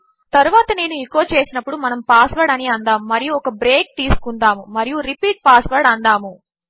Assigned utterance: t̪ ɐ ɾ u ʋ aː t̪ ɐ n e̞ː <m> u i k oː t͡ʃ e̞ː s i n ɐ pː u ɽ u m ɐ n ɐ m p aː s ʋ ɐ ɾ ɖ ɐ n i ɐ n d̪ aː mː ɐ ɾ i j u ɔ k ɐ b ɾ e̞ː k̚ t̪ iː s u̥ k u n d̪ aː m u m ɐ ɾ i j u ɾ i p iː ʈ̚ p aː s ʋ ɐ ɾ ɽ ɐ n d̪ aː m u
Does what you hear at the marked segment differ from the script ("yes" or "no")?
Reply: yes